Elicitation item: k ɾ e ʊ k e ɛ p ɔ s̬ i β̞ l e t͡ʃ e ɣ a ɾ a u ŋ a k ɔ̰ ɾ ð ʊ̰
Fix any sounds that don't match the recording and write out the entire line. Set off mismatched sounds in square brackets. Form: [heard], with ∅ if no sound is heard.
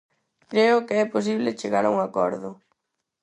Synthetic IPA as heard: k ɾ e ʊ k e ɛ p [o] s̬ i β̞ l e t͡ʃ e ɣ a ɾ a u ŋ a k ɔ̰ ɾ ð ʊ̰